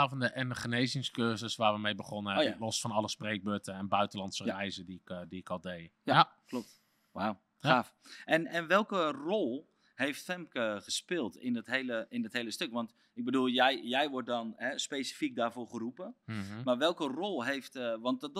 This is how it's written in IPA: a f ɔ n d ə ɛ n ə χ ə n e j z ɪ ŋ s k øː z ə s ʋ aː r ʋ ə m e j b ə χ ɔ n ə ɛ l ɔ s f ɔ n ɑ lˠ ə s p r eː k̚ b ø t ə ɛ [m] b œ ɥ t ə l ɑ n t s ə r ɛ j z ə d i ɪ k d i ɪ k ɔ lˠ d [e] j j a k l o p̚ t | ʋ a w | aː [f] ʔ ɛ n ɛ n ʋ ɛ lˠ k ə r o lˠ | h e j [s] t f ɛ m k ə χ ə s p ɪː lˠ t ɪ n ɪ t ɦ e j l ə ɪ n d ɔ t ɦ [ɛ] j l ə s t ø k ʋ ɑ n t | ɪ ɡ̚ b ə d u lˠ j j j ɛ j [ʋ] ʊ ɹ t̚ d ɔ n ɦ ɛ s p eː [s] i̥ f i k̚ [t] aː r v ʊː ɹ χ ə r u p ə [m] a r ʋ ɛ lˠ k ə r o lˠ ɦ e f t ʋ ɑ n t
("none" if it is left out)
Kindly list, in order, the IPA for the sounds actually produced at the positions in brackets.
n, e, f, f, e, ʋ, s, d, m

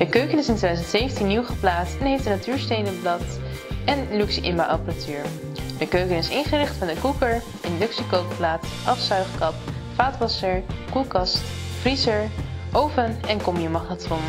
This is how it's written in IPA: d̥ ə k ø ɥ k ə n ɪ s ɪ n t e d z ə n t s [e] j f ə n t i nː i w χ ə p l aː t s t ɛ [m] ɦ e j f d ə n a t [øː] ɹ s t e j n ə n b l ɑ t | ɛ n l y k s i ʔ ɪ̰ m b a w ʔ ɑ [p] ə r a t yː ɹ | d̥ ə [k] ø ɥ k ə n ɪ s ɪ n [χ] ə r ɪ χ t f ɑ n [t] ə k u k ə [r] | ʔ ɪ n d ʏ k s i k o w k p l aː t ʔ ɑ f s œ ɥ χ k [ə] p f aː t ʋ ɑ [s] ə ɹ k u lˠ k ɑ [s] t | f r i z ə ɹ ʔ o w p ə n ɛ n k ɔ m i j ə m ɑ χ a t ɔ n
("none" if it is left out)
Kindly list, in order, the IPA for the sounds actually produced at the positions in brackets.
e, n, yː, p, k, χ, d, ɹ, ɑ, s, s

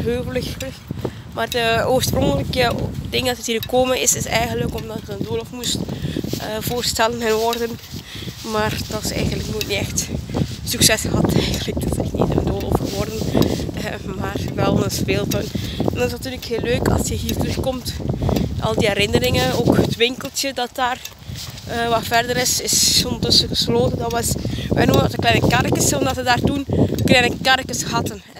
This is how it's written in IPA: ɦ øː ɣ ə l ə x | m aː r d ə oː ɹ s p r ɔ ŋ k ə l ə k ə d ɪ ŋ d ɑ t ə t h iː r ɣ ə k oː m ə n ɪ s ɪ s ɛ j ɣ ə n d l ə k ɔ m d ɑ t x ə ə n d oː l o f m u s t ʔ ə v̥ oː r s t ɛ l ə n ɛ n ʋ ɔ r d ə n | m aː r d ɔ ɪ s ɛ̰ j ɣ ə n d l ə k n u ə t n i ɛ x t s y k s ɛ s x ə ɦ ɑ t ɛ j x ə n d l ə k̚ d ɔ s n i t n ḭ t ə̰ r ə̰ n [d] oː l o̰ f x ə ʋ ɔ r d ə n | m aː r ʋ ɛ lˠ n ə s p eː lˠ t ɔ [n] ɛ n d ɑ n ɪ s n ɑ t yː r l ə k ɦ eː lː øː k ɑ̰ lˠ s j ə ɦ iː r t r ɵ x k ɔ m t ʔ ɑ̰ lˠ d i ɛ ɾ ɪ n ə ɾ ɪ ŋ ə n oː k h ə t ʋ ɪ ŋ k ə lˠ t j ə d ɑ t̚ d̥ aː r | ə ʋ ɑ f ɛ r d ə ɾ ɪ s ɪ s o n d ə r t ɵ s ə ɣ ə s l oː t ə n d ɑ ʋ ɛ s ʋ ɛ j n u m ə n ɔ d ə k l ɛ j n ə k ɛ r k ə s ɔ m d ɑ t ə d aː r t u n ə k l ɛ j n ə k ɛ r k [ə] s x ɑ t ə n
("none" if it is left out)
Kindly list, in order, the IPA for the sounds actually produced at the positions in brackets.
d, n, ə

